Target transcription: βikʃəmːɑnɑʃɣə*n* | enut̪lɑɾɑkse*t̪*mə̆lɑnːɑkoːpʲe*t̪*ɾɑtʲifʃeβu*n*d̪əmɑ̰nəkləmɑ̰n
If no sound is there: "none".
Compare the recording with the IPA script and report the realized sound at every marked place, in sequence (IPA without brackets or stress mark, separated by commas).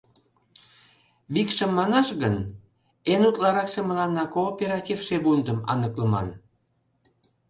n, none, none, n